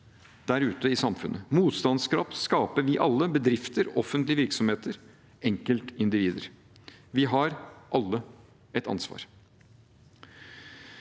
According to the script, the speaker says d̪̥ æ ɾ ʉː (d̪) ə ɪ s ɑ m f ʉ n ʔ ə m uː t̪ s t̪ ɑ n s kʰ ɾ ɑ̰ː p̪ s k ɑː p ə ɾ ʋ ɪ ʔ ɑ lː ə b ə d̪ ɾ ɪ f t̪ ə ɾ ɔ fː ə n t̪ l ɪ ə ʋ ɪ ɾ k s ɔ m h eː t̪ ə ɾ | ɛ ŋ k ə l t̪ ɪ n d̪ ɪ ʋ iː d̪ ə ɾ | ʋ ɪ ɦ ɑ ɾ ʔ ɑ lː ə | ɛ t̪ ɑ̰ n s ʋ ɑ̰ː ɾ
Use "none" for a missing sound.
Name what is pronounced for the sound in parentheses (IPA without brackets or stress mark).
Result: t̪